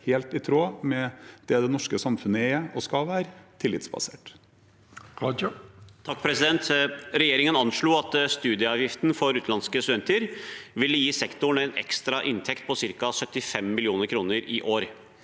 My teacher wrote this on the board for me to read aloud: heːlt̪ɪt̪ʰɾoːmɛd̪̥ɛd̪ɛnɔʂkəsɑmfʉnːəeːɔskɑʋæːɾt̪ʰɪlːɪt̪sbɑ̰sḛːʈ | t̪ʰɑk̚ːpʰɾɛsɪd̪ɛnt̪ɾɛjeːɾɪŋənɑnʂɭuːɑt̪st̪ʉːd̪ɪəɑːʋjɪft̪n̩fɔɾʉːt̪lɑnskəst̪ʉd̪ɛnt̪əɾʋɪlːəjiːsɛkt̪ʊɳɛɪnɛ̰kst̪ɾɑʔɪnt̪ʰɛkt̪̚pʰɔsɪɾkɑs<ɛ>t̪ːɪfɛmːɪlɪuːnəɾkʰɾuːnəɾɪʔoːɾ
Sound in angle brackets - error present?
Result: yes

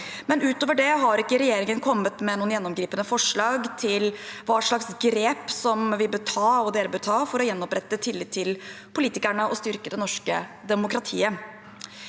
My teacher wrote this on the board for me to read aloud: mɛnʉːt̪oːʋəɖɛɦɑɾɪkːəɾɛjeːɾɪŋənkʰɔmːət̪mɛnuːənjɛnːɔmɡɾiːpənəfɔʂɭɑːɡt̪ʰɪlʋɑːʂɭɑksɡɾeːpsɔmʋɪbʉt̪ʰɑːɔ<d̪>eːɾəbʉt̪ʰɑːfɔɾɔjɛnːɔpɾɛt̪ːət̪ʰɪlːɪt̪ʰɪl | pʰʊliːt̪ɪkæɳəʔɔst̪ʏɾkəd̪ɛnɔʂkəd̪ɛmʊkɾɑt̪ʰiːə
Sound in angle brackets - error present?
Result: no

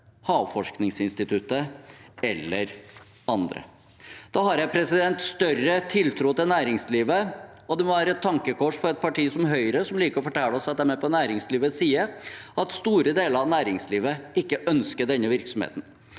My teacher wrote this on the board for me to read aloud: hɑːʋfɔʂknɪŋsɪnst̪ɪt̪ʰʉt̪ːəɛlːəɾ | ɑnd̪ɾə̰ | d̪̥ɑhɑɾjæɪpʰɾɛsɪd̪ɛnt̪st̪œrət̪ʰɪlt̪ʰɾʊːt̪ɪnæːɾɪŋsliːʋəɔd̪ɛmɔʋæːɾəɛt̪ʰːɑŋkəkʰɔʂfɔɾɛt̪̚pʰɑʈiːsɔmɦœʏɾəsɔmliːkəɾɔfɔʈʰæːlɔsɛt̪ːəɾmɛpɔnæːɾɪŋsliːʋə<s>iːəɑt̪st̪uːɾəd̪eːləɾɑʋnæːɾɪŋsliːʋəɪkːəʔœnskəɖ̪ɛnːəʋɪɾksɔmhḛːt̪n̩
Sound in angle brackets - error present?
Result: no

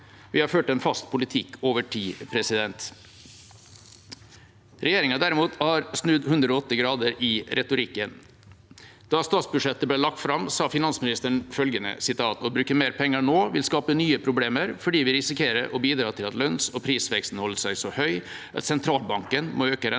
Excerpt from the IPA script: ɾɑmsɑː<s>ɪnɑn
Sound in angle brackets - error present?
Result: yes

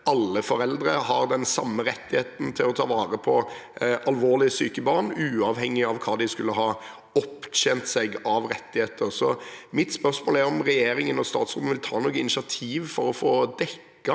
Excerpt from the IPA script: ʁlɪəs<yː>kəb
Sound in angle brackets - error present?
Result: no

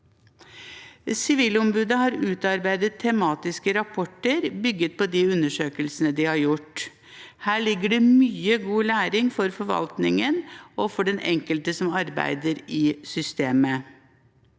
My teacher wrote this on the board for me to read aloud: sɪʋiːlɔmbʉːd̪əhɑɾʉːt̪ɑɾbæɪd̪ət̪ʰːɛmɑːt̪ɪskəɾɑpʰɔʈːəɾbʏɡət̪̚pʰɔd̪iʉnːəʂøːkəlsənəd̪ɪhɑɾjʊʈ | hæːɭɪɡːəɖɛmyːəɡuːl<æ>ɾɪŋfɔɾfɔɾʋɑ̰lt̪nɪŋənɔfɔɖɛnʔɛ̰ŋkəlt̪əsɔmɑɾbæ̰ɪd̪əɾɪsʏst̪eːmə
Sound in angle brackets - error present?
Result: yes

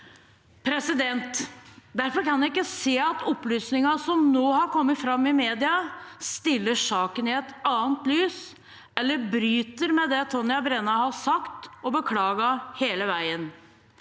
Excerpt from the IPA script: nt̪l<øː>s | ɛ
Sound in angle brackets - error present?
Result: yes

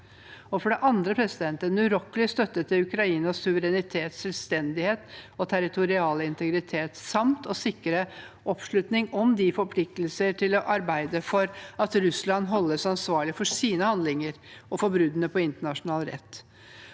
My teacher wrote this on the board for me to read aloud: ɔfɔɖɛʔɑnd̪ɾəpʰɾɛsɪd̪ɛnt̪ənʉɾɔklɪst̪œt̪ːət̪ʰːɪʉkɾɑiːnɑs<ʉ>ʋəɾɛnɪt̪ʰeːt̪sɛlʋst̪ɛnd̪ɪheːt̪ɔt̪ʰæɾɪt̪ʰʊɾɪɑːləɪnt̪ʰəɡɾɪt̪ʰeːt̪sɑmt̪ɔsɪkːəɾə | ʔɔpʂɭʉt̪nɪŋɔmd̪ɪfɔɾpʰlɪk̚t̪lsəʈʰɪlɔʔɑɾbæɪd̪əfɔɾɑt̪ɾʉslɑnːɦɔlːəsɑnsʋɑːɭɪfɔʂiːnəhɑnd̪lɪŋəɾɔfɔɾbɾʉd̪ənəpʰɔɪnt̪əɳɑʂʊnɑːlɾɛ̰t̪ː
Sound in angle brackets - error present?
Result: no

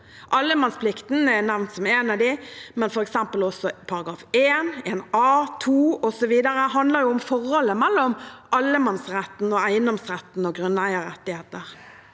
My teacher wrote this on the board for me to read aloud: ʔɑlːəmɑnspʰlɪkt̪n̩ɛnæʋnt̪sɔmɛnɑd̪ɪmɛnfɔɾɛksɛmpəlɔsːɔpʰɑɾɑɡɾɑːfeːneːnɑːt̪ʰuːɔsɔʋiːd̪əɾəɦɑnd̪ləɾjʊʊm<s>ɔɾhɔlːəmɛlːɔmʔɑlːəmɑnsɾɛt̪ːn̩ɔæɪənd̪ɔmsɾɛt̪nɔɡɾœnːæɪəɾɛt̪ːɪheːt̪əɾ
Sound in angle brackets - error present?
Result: yes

